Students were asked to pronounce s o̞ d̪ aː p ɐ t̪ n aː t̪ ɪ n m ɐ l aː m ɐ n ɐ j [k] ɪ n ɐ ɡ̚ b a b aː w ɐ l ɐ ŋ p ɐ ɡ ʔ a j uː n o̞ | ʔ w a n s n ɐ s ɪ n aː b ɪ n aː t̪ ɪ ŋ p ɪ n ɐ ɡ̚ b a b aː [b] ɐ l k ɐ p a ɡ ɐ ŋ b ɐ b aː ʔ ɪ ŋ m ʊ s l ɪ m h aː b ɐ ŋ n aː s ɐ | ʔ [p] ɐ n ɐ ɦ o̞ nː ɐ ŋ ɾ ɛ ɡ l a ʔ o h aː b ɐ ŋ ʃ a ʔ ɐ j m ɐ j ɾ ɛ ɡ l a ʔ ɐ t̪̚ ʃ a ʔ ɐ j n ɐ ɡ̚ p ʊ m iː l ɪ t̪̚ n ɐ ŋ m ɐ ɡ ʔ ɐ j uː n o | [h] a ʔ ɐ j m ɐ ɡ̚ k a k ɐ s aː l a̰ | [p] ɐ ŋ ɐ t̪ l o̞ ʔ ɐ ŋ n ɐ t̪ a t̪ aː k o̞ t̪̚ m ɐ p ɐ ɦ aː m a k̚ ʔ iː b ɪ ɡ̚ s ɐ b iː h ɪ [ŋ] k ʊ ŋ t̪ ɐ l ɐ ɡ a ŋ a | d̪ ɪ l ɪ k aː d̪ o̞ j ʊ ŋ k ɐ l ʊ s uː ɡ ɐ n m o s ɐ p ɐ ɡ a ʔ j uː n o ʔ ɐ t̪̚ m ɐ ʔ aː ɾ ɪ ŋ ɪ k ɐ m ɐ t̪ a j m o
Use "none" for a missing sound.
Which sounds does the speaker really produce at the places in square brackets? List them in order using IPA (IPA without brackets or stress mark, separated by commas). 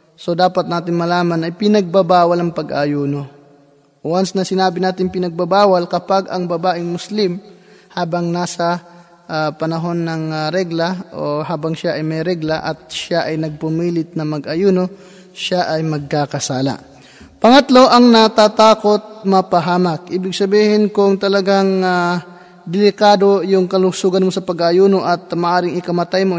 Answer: p, w, p, ʃ, p, n